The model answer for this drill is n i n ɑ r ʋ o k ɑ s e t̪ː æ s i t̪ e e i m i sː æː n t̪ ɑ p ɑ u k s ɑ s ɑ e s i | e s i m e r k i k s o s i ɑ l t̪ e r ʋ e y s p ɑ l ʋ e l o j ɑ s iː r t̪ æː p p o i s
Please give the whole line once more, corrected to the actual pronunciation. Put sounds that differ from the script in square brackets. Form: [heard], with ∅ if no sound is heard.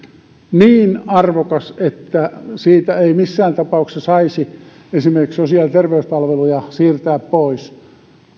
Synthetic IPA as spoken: n [iː] n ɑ r ʋ o k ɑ s e t̪ː æ s [iː] t̪ [æ] e i m i sː æː n t̪ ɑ p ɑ u k s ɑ s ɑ [i] s i | e s i m e r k i k s o s i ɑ l t̪ e r ʋ e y s p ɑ l ʋ e l [u] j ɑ s iː r t̪ æː p p o i s